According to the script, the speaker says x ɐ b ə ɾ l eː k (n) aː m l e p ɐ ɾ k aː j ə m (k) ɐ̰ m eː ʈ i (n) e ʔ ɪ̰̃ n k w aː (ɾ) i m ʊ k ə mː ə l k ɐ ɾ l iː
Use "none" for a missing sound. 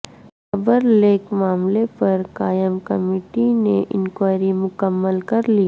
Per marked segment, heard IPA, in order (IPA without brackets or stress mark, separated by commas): m, k, n, ɾ